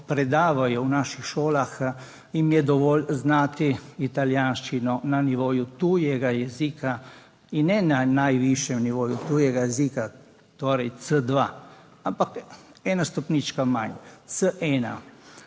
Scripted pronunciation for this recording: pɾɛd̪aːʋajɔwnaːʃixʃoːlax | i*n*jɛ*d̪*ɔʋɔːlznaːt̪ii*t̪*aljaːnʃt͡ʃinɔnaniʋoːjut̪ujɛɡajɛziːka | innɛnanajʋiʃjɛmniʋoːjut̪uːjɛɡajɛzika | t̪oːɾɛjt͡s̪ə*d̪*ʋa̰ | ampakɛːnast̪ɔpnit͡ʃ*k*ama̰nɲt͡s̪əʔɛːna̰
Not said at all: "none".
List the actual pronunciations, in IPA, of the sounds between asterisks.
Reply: m, d̪, t̪, d̪, k

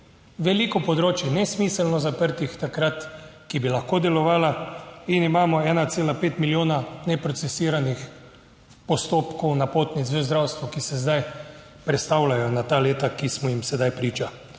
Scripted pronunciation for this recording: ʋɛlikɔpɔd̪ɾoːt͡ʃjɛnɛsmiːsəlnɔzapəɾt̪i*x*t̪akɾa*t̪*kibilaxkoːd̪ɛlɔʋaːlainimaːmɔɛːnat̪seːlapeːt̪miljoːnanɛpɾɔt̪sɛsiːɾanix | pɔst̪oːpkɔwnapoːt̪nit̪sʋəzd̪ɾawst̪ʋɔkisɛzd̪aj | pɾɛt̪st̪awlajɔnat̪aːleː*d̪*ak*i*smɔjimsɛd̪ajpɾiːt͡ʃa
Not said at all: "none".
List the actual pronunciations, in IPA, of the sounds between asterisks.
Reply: x, t̪, t̪, i

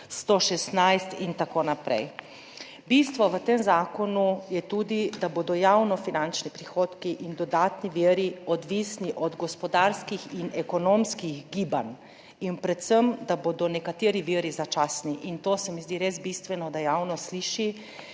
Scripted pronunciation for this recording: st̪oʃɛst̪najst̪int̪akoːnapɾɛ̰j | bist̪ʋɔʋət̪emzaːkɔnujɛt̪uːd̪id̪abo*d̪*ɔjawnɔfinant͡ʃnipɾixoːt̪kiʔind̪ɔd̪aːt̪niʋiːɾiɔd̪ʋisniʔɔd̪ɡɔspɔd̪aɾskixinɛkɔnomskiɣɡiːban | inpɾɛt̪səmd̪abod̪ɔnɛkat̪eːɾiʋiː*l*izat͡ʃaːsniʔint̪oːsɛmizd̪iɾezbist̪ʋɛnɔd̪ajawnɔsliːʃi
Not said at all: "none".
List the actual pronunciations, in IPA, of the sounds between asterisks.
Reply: d̪, ɾ

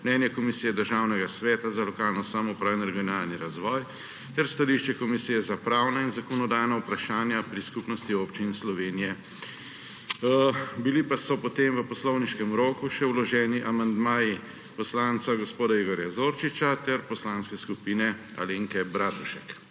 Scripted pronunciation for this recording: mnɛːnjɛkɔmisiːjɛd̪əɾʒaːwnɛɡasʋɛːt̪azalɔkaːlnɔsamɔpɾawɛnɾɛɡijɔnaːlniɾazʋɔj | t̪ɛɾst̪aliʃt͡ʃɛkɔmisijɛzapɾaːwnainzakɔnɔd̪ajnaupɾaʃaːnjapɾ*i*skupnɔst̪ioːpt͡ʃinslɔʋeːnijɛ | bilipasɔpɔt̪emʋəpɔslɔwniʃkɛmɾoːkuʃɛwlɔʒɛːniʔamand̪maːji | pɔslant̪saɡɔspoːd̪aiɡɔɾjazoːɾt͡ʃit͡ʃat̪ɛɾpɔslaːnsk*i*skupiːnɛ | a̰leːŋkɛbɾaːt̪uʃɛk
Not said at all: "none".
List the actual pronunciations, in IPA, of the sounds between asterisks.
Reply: i, ɛ

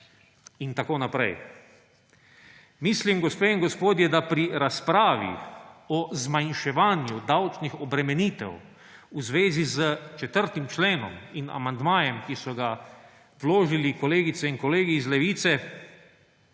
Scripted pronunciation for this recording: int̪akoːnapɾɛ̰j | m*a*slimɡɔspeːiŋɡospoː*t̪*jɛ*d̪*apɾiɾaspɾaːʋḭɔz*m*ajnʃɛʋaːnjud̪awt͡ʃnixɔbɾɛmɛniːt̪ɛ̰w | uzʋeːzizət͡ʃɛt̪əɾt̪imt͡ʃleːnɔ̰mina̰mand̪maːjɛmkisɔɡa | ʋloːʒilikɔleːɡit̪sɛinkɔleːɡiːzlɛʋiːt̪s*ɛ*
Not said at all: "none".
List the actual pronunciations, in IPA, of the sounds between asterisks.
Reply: i, d̪, d̪, m, ɛ

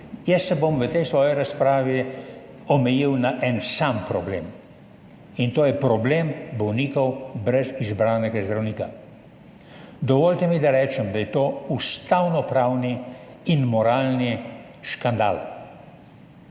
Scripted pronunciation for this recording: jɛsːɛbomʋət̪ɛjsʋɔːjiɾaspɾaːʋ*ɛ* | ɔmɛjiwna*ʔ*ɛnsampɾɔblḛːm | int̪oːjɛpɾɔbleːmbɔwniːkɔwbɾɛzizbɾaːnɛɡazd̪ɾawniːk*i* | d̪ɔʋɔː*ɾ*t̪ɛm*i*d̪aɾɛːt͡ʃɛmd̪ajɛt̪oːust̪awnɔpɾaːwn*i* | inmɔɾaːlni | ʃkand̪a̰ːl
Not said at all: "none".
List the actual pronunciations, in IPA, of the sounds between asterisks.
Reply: i, ʔ, a, l, i, i

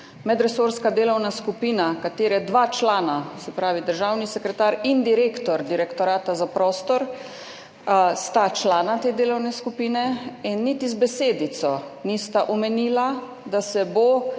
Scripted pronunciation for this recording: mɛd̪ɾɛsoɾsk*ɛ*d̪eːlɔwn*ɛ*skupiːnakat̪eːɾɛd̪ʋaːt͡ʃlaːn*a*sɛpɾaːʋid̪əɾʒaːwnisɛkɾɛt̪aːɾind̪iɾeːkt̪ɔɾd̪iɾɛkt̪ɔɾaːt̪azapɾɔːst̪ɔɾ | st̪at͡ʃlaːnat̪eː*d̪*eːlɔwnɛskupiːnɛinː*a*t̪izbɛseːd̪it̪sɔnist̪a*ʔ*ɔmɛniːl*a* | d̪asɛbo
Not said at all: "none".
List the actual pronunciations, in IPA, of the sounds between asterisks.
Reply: a, a, a, d̪, i, ʔ, a

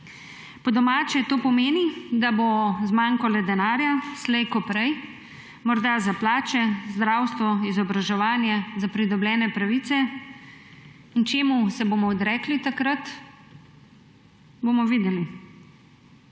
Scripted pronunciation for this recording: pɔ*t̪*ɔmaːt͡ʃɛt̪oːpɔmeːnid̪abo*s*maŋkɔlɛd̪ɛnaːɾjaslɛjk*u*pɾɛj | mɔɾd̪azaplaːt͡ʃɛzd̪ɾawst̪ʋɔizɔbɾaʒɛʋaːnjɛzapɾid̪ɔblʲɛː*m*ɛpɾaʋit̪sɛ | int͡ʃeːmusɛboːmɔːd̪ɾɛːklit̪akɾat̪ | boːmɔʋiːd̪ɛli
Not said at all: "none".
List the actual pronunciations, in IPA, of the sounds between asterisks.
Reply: d̪, z, ɔ, n

